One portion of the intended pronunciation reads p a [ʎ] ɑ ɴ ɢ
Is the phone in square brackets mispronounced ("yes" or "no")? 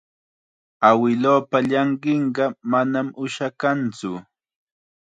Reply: no